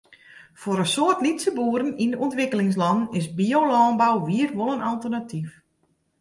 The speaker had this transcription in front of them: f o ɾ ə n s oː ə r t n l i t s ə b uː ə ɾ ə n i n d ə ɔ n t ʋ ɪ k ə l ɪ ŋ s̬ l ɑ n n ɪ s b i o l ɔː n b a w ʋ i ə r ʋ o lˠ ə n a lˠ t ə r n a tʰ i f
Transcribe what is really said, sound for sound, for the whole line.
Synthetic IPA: f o ɾ ə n s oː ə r t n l i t s ə b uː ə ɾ ə n i n d ə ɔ n t ʋ ɪ k ə l ɪ ŋ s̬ l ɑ n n ɪ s b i o l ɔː n b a w ʋ i ə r ʋ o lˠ ə n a lˠ t ə r n a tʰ i f